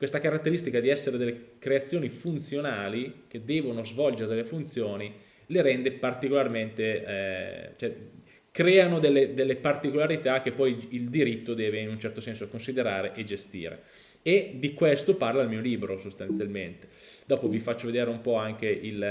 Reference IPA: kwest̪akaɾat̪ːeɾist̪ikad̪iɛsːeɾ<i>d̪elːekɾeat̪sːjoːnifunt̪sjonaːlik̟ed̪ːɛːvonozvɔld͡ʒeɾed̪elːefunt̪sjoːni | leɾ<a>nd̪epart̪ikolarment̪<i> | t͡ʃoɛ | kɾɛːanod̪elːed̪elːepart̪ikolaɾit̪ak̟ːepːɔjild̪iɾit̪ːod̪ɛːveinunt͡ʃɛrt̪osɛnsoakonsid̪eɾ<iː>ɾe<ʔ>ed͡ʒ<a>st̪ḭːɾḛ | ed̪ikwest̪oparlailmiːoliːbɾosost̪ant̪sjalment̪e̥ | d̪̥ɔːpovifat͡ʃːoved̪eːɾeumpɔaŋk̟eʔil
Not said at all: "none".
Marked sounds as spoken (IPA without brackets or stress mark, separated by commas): e, ɛ, e, aː, ʔ, e